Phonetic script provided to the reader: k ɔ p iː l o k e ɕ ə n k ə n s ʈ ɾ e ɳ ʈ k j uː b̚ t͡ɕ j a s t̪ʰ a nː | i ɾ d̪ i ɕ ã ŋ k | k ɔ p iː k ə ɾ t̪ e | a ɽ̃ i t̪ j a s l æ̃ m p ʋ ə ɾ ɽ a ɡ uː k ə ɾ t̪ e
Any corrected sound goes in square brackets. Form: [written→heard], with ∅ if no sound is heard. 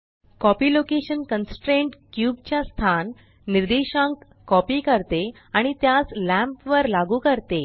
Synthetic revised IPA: k ɔ p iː l o k e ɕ ə n k ə n s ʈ ɾ e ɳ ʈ k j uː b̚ t͡ɕ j a s t̪ʰ a nː | i ɾ d̪ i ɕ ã ŋ k | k ɔ p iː k ə ɾ t̪ e | a ɽ̃ i t̪ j a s l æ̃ m p ʋ ə ɾ [ɽ→l] a ɡ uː k ə ɾ t̪ e